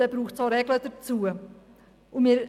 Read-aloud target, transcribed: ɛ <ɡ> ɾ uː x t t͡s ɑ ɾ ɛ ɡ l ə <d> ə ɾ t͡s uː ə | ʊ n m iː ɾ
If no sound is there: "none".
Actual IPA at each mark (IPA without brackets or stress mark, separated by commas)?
b, d